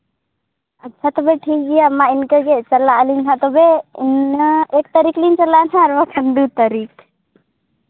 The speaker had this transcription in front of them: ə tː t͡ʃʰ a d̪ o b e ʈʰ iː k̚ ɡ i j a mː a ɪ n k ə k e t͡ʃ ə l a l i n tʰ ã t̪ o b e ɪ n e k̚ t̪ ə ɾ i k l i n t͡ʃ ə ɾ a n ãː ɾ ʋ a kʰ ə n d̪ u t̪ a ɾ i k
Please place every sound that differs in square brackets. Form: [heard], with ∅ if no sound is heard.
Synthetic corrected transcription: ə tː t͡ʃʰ a [t̪] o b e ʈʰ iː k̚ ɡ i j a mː a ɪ n k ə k e t͡ʃ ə l a l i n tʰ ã t̪ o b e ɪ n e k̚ t̪ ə ɾ i k l i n t͡ʃ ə [l] a n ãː ɾ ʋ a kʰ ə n d̪ u t̪ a ɾ i k